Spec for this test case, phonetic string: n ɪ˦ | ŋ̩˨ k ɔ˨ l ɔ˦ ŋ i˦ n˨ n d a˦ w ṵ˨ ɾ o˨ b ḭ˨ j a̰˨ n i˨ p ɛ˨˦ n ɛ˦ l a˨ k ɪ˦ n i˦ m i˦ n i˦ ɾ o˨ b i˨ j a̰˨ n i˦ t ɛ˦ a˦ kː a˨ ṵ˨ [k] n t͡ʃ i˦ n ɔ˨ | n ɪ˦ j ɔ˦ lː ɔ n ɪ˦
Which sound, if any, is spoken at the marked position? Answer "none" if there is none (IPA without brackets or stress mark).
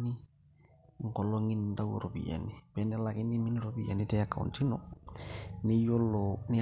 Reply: none